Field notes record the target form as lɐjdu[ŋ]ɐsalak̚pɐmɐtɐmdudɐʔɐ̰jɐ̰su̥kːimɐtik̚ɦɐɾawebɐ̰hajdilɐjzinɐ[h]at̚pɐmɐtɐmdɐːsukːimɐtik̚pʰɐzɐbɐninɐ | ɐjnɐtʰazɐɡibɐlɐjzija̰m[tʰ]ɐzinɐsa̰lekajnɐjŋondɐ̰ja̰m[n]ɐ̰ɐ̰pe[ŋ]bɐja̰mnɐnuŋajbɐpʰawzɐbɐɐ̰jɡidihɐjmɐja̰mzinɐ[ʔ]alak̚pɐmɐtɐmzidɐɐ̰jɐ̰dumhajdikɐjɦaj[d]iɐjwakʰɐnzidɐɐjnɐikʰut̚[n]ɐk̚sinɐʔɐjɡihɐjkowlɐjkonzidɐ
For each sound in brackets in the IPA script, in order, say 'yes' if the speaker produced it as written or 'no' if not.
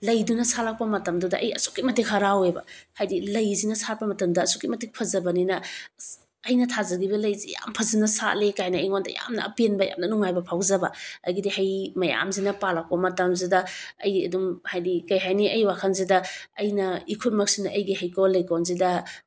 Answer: no, no, no, yes, no, no, no, no

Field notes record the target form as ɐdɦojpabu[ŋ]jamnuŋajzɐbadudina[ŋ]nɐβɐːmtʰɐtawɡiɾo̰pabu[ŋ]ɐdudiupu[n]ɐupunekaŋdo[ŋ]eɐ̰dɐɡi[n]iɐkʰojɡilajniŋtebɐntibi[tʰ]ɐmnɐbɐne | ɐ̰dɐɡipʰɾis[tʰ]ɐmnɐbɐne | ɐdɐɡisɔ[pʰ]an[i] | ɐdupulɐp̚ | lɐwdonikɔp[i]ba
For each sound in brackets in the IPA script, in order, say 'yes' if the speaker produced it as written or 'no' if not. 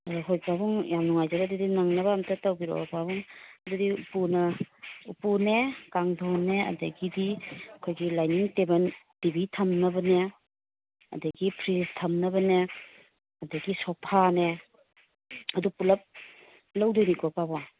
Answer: yes, yes, yes, yes, no, no, yes, yes, yes, no, no

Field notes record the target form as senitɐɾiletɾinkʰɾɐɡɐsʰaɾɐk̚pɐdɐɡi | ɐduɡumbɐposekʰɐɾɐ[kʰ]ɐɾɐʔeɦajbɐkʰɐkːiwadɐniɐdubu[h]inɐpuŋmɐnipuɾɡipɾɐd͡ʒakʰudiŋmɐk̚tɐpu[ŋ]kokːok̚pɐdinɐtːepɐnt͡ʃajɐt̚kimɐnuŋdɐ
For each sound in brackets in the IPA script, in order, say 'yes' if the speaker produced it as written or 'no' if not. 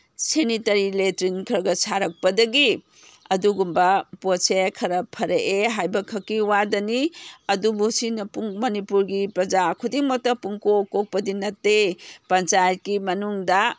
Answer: no, no, yes

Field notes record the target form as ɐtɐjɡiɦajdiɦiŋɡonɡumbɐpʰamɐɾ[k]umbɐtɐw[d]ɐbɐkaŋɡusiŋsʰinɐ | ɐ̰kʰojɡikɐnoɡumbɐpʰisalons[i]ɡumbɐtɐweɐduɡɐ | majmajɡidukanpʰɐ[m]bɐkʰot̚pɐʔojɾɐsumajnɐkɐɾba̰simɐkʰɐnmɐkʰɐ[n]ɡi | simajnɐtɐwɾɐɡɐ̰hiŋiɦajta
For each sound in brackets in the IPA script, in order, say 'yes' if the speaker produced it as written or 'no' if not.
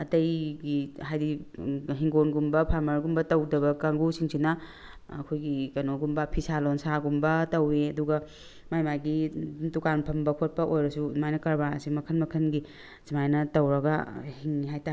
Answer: no, yes, no, yes, yes

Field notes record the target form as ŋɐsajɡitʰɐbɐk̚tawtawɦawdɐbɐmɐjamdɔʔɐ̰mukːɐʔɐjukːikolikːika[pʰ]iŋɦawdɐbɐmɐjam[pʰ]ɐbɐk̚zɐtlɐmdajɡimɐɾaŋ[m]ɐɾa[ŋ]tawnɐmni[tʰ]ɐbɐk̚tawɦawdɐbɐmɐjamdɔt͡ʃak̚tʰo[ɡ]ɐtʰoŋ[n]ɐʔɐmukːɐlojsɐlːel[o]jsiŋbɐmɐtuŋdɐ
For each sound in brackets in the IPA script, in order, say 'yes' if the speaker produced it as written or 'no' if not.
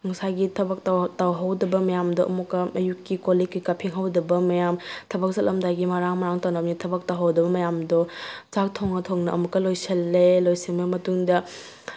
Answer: yes, no, yes, yes, yes, no, yes, yes

